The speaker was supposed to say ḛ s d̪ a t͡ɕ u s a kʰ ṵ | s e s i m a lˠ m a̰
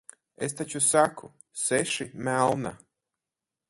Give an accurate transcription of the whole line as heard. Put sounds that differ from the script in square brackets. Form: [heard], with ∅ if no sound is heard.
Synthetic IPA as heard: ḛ s [t̪] a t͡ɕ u s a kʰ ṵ | s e [ʃ] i m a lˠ [n] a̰